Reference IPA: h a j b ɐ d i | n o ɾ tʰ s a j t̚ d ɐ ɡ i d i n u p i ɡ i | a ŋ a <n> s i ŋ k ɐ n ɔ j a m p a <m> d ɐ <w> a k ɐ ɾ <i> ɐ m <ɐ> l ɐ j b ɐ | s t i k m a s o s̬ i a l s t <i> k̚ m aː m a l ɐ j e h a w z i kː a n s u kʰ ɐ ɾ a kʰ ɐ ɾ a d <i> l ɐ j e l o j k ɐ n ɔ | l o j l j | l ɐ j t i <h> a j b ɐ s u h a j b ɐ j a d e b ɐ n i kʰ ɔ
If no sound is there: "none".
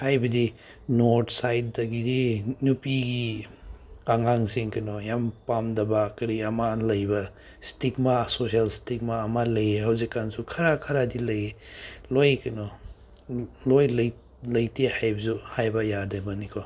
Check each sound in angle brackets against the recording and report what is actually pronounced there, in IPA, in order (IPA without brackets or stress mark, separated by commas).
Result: ŋ, m, b, i, a, i, i, h